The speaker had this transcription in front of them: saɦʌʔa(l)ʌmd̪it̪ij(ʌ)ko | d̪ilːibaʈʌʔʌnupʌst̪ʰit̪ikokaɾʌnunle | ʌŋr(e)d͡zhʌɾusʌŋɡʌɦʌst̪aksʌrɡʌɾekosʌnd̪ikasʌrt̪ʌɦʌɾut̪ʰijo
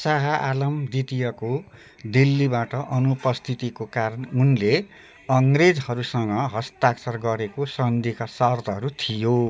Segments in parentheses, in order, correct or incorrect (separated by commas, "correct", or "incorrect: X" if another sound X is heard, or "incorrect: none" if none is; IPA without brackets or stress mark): correct, correct, correct